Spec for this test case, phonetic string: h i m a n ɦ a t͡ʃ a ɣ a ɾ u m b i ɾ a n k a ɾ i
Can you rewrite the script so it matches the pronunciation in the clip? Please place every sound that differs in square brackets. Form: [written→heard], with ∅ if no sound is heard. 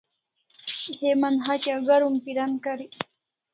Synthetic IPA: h [i→e] m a n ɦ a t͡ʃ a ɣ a ɾ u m [b→p] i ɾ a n k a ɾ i